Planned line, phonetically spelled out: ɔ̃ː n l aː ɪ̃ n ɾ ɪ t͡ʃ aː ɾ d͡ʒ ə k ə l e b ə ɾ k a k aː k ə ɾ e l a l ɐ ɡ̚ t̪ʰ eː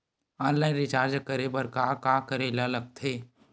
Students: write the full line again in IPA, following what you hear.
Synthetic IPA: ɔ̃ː n l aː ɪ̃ n ɾ ɪ t͡ʃ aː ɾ d͡ʒ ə k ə ɾ e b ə ɾ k a k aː k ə ɾ e l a l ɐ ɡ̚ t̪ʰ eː

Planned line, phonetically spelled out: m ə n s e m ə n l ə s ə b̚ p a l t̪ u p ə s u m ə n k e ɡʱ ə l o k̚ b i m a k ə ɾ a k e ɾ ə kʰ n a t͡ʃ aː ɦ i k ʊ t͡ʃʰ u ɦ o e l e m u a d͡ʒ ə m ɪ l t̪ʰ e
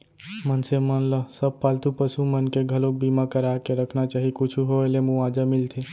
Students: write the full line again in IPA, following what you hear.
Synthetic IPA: m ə n s e m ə n l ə s ə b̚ p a l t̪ u p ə s u m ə n k e ɡʱ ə l o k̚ b i m a k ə ɾ a k e ɾ ə kʰ n a t͡ʃ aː ɦ i k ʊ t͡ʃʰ u ɦ o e l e m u a d͡ʒ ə m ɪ l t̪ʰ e

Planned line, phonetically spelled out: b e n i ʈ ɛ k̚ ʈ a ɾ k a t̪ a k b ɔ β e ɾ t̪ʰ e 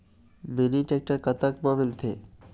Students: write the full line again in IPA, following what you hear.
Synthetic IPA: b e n i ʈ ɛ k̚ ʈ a ɾ k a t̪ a k b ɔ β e l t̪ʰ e

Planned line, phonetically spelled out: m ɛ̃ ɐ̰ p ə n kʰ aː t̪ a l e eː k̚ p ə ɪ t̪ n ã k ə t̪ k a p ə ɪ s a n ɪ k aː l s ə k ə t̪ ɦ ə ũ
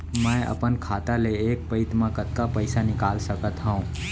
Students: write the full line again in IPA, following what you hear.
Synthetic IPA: m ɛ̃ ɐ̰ p ə n kʰ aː t̪ a l e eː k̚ p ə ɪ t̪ m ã k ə t̪ k a p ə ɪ s a n ɪ k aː l s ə k ə t̪ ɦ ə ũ

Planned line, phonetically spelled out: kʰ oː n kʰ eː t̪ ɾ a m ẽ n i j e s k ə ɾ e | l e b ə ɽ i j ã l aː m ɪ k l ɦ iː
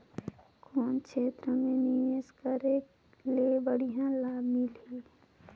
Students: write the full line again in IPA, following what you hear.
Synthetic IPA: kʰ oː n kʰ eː t̪ ɾ ə m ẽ n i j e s k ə ɾ e | l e b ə ɽ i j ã l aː m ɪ l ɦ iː

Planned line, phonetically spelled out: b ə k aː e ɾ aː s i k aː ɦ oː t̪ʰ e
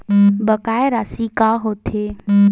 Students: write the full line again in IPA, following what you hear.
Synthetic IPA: b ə k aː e ɾ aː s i k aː ɦ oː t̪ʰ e

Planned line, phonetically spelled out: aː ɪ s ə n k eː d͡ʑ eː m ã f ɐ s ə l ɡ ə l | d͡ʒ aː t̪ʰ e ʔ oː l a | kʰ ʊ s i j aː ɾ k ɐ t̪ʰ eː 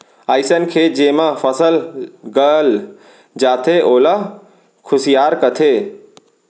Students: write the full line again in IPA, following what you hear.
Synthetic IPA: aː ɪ s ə n kʰ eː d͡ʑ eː m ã f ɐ s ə l ɡ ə l | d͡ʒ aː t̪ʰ e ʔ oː l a | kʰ ʊ s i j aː ɾ k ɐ t̪ʰ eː

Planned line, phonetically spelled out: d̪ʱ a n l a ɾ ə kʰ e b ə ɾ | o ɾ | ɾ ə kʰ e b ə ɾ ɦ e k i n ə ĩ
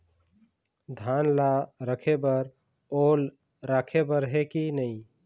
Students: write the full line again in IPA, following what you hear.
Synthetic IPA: d̪ʱ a n l a ɾ ə kʰ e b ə ɾ | o l | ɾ a kʰ e b ə ɾ ɦ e k i n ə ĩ

